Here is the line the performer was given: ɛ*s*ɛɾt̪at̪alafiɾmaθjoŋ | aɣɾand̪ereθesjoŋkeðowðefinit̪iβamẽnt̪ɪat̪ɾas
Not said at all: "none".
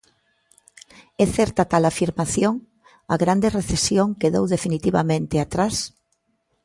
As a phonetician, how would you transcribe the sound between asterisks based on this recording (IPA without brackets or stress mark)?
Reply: θ